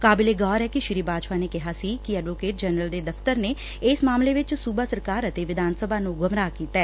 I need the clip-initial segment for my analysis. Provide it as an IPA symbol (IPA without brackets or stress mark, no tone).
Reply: k